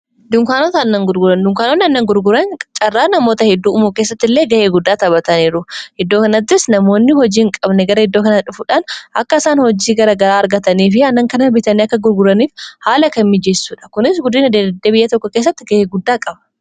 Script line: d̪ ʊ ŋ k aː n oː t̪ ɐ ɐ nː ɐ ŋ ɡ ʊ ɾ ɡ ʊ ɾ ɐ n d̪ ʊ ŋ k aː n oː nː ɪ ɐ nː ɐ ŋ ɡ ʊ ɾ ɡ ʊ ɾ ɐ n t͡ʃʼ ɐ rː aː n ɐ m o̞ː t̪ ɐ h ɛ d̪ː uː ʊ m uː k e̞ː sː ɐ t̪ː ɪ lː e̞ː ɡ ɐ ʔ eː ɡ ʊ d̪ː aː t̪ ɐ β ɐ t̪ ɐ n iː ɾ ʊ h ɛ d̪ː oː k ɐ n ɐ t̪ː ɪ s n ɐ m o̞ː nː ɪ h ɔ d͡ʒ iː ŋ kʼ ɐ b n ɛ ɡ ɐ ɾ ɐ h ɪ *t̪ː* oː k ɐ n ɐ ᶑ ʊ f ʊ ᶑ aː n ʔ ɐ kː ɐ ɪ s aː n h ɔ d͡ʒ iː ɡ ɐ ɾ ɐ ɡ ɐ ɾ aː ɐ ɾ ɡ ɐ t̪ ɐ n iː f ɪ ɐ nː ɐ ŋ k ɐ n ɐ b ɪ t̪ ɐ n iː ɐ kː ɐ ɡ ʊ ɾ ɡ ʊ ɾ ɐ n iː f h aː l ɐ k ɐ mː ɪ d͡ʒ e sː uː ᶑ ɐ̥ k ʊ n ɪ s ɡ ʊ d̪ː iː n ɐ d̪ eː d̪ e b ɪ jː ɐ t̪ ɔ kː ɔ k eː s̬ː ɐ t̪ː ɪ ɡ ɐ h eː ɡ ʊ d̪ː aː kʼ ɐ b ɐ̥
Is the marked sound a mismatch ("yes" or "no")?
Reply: yes